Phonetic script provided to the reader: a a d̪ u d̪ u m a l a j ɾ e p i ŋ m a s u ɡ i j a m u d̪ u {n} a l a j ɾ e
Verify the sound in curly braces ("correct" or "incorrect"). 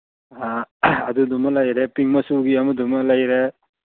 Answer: incorrect